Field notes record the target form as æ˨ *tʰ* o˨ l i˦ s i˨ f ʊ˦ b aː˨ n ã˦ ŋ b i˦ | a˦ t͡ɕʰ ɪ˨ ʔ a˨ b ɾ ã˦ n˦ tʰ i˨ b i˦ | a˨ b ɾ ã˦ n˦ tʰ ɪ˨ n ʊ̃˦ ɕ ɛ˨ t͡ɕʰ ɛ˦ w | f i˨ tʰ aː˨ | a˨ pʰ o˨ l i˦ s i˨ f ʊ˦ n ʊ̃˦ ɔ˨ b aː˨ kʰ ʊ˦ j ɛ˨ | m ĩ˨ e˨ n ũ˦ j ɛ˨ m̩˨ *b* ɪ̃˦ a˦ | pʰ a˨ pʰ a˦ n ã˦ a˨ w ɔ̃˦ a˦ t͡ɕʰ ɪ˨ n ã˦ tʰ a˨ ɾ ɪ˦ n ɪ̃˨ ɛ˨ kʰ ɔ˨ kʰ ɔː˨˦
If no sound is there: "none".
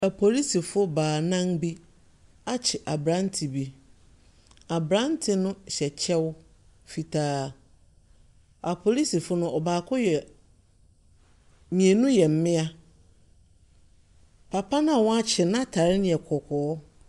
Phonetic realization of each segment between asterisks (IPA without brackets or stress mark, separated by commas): pʰ, m